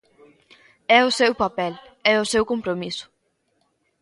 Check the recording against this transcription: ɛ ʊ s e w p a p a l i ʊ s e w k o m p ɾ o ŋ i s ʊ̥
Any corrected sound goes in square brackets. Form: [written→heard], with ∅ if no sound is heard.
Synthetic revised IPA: ɛ ʊ s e w p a p [a→ɛ] l [i→ɛ] ʊ s e w k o m p ɾ o [ŋ→m] i s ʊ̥